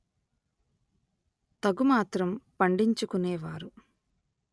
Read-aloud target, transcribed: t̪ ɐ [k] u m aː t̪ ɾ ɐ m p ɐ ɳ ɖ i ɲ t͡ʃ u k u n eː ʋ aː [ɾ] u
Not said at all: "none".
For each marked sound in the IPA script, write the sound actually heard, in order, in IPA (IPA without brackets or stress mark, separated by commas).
ɡ, ɾ